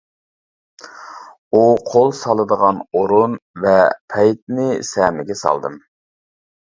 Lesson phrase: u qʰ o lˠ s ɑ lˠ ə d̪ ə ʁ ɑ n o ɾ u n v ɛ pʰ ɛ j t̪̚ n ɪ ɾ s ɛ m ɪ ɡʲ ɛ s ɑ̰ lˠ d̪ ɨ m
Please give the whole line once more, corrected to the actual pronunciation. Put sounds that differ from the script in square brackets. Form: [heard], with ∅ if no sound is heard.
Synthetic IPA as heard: u qʰ o lˠ s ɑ lˠ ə d̪ ə ʁ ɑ n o ɾ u n v ɛ pʰ ɛ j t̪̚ n ɪ [∅] s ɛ m ɪ ɡʲ ɛ s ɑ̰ lˠ d̪ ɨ m